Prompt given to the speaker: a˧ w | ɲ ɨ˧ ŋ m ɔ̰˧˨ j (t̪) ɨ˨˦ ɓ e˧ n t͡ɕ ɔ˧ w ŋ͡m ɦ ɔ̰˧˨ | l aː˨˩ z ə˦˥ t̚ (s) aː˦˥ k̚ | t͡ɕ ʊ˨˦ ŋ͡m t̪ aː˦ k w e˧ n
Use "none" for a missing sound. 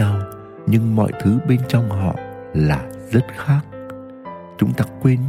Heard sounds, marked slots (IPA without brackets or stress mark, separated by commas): t̪ʰ, x